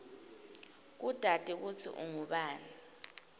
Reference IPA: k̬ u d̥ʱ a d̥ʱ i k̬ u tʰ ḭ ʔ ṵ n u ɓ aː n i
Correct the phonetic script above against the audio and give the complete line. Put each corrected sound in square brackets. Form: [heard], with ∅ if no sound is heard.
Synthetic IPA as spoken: k̬ u d̥ʱ a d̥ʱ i k̬ u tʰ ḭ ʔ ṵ [ŋ] u ɓ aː n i